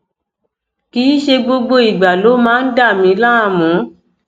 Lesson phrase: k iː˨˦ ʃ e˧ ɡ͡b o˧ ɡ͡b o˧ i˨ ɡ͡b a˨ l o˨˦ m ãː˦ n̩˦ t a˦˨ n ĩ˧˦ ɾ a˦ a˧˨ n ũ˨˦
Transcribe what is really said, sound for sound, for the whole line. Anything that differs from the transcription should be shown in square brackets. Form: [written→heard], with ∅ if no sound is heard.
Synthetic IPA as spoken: k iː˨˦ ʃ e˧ ɡ͡b o˧ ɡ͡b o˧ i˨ ɡ͡b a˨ l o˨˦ m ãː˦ n̩˦ [t→d] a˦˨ [n→m] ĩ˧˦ [ɾ→l] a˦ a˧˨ [n→m] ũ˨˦